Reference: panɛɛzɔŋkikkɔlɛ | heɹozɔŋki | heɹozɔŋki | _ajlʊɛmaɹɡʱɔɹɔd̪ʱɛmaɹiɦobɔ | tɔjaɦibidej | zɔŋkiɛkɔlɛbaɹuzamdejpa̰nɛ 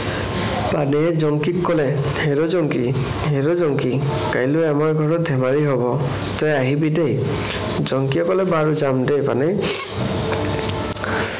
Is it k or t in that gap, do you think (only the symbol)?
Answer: k